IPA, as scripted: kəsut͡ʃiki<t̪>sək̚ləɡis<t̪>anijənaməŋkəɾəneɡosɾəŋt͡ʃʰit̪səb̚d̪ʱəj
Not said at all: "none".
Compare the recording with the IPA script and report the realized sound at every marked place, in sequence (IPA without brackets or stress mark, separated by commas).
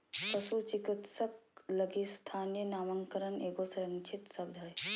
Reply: t̪, t̪ʰ